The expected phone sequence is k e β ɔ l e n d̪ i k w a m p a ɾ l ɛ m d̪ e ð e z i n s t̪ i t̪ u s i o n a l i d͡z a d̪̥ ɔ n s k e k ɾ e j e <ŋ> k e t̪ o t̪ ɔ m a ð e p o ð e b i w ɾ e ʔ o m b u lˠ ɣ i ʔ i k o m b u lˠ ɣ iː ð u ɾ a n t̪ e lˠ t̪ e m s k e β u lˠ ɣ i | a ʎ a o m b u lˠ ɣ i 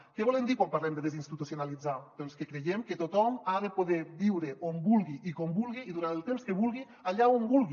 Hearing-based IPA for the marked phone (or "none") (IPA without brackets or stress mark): m